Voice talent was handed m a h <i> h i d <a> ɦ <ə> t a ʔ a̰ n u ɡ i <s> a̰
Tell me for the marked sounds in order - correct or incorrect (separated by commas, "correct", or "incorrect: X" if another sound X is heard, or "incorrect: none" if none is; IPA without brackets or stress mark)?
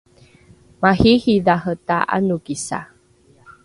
correct, correct, correct, correct